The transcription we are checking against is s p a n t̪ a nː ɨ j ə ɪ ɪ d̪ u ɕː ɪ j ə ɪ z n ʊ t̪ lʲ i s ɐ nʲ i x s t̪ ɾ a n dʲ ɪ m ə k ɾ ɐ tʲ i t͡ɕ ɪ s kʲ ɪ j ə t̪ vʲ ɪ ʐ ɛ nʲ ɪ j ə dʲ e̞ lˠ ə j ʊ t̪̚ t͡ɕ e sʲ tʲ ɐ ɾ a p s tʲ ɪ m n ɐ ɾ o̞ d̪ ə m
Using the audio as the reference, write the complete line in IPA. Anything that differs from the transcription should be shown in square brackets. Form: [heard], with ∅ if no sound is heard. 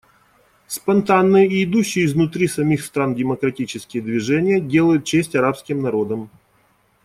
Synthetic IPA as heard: s p [ɐ] n t̪ a nː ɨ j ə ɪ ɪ d̪ u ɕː ɪ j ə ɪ z n ʊ t̪ [ɾʲ] i s ɐ [mʲ] i x s t̪ ɾ a n dʲ ɪ m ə k ɾ ɐ tʲ i t͡ɕ ɪ s kʲ ɪ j ə [d̪] vʲ ɪ ʐ ɛ nʲ ɪ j ə dʲ e̞ lˠ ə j ʊ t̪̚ t͡ɕ e sʲ tʲ ɐ ɾ a p s [kʲ] ɪ m n ɐ ɾ o̞ d̪ ə m